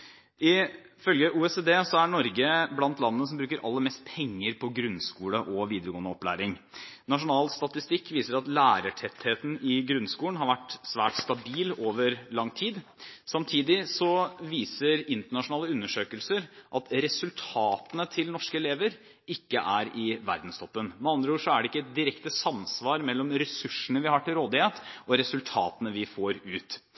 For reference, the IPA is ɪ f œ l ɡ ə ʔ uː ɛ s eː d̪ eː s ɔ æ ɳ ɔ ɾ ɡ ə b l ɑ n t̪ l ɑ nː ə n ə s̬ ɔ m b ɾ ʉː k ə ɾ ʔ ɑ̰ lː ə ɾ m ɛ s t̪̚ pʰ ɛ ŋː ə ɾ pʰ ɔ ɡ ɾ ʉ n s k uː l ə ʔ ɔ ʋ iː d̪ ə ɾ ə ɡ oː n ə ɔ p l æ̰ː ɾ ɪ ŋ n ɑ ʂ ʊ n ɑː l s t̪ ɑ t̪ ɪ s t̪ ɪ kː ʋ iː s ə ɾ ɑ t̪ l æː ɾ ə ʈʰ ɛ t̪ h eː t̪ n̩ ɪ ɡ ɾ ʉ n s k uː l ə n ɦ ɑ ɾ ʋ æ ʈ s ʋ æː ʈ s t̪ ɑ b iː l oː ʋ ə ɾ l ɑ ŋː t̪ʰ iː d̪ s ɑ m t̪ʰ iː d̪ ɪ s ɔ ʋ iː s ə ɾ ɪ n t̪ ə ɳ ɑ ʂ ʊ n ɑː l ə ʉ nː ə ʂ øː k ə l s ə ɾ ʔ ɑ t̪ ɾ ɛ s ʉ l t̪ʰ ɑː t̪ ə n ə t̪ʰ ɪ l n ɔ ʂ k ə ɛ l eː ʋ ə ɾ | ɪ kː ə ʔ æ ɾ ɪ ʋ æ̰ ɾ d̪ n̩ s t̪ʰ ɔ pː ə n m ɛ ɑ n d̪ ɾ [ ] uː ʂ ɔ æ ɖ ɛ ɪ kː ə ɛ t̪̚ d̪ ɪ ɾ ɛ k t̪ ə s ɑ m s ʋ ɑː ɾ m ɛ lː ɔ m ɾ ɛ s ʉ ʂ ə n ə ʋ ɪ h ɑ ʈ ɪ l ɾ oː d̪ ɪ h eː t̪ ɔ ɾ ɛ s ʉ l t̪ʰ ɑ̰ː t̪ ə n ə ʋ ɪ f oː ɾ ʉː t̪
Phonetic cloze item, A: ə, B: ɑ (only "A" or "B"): A